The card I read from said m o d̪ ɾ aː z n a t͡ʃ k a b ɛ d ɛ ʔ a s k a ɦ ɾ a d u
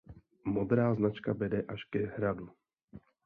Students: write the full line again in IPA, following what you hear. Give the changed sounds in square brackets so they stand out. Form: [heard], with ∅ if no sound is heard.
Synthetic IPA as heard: m o d̪ ɾ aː z n a t͡ʃ k a b ɛ d ɛ ʔ a [ʃ] k [ɛ] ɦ ɾ a d u